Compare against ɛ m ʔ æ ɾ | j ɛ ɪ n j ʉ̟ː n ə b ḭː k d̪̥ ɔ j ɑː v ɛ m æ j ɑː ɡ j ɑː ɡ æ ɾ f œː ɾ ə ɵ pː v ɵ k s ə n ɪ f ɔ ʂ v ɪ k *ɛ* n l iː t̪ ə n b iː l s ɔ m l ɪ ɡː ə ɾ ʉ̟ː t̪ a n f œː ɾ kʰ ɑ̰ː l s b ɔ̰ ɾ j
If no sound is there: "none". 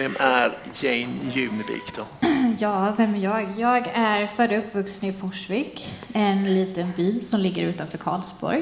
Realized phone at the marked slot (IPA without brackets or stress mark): ɛ